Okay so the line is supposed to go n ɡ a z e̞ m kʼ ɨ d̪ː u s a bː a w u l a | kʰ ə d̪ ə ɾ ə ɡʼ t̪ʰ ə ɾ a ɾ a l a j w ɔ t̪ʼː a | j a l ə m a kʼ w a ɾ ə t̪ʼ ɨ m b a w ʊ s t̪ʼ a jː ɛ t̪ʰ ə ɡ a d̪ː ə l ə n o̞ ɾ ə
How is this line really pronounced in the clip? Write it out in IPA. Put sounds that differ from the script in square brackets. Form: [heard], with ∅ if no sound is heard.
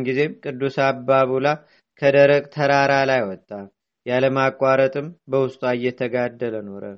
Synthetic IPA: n ɡ [i] z e̞ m kʼ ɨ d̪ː u s a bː a [β] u l a | kʰ ə d̪ ə ɾ ə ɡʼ t̪ʰ ə ɾ a ɾ a l a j w ɔ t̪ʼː a | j a l ə m a kʼ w a ɾ ə t̪ʼ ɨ m b [ə] w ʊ s t̪ʼ a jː ɛ t̪ʰ ə ɡ a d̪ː ə l ə n o̞ ɾ ə